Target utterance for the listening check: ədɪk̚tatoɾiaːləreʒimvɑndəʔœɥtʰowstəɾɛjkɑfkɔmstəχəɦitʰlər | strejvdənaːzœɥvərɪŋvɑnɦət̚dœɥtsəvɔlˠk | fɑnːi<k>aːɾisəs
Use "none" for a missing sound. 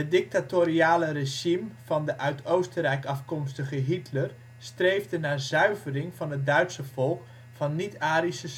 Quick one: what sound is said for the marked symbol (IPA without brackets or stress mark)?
t